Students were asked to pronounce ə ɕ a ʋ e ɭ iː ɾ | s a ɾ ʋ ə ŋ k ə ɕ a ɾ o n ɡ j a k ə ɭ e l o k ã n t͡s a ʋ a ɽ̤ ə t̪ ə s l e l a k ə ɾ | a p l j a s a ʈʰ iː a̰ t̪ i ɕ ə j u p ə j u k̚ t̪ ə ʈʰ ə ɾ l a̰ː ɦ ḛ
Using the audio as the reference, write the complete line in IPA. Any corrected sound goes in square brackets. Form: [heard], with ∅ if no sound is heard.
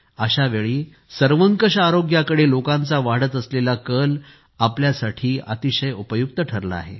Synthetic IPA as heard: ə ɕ a ʋ e ɭ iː [∅] | s [ə] ɾ ʋ ə ŋ k ə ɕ a ɾ o [∅] ɡ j a k ə [ɽ] e l o k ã n t͡s a ʋ a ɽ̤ ə t̪ ə s l e l a k ə [l] | a p l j a s a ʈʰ iː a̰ t̪ i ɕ ə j u p ə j u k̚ t̪ ə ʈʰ ə ɾ l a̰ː ɦ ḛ